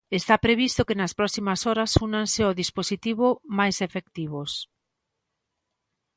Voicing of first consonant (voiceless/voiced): voiceless